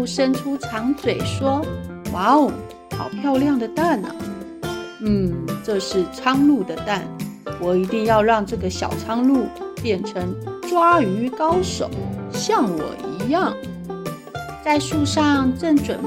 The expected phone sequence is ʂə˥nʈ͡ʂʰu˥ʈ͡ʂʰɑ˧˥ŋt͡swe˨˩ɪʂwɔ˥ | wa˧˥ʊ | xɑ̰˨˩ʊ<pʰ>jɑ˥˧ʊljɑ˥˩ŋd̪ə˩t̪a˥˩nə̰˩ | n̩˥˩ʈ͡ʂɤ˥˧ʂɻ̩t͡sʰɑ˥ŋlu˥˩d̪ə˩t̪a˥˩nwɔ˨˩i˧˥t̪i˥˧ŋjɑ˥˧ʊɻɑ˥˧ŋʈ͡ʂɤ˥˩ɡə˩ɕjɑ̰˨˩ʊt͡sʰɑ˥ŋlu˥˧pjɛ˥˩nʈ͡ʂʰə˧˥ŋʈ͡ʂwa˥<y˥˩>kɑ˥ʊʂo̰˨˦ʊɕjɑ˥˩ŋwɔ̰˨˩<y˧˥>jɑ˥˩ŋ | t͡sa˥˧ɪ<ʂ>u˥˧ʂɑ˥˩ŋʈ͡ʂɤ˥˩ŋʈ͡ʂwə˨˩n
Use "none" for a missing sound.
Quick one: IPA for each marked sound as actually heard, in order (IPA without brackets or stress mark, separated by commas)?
pʰ, y˧˥, i˧˥, ʂ